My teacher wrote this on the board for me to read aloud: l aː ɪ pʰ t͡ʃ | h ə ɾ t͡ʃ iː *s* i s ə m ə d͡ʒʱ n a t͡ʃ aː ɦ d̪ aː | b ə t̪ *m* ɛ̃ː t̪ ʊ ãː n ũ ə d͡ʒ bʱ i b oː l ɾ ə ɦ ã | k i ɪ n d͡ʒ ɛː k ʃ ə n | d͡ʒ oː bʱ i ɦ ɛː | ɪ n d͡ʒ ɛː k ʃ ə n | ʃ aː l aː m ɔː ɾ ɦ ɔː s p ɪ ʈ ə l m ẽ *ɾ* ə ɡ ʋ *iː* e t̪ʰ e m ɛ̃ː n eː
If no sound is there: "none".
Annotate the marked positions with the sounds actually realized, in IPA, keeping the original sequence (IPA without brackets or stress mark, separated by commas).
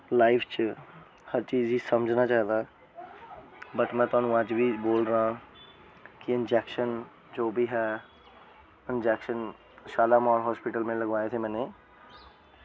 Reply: z, m, l, aː